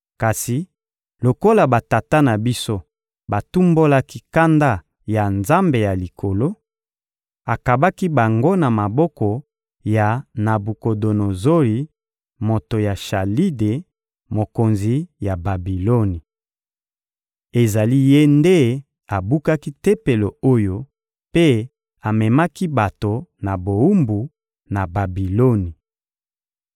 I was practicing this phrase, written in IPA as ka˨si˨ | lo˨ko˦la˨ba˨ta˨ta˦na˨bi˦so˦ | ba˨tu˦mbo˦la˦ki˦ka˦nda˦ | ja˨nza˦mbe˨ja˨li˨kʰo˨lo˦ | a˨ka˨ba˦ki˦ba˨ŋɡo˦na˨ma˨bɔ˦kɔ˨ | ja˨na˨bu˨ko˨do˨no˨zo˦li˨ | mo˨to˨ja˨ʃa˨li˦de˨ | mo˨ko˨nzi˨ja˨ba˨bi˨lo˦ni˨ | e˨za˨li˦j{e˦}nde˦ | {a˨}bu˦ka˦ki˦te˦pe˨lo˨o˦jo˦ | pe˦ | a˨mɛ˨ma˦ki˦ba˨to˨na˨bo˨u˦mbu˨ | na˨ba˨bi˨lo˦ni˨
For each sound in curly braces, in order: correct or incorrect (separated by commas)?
correct, correct